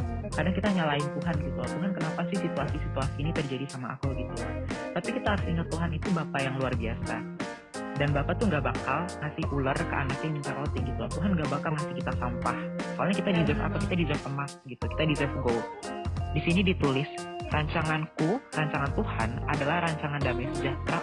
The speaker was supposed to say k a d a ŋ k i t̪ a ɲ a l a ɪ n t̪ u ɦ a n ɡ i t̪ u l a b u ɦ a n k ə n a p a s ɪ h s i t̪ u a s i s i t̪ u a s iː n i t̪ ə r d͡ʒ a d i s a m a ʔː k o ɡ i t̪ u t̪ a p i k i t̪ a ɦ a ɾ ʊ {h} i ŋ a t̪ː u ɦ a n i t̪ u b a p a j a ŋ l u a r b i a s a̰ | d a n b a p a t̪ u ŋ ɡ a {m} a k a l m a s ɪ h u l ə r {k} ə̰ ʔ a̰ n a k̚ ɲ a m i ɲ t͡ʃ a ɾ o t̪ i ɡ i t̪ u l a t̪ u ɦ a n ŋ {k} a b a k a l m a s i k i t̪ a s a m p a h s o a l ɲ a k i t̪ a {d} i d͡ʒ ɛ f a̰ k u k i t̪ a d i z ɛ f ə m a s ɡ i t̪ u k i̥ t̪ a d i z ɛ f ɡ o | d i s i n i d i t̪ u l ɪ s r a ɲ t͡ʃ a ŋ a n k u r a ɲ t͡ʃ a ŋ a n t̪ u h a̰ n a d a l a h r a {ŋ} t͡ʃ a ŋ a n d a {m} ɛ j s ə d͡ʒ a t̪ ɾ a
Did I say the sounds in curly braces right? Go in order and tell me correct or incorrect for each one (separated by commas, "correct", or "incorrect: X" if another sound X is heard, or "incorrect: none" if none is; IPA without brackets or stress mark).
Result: incorrect: s, incorrect: b, correct, incorrect: ɡ, correct, incorrect: ɲ, correct